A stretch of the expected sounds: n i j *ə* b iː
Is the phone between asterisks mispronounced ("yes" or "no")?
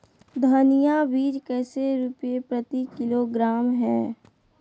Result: yes